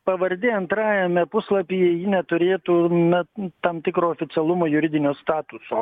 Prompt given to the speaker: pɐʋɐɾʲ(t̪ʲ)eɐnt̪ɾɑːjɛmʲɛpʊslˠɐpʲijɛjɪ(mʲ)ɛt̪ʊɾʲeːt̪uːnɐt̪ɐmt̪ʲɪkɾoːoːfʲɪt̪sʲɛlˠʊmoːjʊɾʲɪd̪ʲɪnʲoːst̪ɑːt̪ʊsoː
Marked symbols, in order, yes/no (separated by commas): no, no